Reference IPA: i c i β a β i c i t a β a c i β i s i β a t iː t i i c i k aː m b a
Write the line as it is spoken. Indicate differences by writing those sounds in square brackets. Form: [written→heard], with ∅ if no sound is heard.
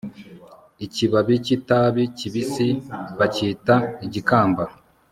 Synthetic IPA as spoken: i c i β a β i c i t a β [a→i] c i β i s i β a [t→c] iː t [i→a] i [c→ɟ] i k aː m b a